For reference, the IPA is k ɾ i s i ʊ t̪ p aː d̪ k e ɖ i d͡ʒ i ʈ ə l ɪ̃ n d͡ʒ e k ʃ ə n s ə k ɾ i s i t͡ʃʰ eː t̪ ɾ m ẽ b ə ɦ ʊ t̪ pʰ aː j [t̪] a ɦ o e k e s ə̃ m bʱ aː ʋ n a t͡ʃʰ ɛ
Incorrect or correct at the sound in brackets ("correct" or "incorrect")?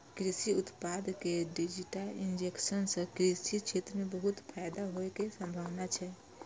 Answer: incorrect